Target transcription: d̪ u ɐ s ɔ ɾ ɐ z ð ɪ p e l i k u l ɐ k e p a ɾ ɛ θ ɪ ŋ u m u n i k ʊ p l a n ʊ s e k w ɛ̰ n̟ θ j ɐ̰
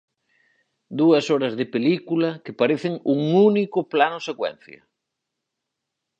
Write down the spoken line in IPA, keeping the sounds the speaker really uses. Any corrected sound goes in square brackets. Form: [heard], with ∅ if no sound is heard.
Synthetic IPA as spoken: d̪ u ɐ s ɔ ɾ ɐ z ð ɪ p e l i k u l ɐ k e p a ɾ [e] θ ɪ ŋ u [ŋ] u n i k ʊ p l a n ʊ s e k w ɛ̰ n̟ θ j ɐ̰